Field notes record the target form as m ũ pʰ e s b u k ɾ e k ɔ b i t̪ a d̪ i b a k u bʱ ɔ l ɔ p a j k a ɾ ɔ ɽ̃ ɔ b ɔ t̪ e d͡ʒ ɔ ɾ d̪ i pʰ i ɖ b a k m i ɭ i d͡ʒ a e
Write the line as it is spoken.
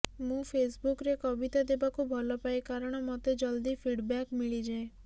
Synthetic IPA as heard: m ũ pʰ e s b u k ɾ e k ɔ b i t̪ a d̪ e b a k u bʱ ɔ l ɔ p a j k a ɾ ɔ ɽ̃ ɔ m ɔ t̪ e d͡ʒ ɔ l d̪ i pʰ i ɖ b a k m i ɭ i d͡ʒ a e